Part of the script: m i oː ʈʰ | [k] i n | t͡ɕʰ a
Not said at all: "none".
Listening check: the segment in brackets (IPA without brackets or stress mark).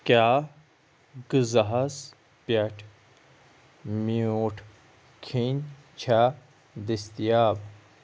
kʰ